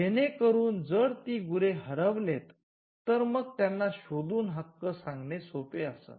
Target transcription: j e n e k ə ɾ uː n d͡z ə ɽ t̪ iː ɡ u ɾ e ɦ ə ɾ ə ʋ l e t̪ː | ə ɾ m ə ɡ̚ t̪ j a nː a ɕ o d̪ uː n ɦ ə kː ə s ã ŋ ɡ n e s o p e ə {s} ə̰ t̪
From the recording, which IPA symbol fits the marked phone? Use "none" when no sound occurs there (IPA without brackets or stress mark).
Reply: s